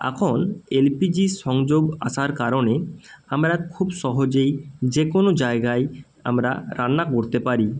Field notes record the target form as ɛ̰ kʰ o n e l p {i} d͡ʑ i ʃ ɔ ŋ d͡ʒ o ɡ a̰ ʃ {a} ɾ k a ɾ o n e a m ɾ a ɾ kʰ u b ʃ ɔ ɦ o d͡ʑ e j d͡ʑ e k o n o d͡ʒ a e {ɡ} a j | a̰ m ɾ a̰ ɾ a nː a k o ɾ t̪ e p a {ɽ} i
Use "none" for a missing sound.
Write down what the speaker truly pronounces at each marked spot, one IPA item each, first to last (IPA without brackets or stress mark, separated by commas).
i, a, ɡ, ɾ